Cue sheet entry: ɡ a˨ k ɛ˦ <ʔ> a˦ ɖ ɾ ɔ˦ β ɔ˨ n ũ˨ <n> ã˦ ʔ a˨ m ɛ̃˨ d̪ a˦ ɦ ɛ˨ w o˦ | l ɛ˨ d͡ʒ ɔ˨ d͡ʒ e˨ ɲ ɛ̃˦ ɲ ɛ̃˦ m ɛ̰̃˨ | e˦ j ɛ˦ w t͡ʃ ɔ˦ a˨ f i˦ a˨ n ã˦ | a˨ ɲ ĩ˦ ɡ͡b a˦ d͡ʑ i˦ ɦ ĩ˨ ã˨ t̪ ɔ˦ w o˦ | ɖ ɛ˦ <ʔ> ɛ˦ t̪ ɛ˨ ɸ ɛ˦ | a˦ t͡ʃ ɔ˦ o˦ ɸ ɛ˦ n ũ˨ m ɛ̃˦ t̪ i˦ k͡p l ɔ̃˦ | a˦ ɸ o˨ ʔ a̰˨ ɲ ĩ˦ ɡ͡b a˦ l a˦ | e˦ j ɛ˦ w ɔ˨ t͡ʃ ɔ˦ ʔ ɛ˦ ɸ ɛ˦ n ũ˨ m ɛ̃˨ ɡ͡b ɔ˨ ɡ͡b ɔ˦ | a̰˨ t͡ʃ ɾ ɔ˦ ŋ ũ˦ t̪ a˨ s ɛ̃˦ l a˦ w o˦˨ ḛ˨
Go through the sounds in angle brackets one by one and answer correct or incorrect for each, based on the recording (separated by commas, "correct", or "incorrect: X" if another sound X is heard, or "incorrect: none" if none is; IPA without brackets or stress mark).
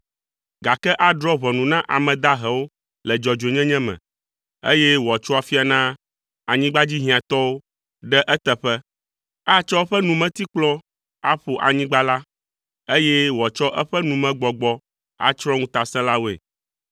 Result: correct, correct, correct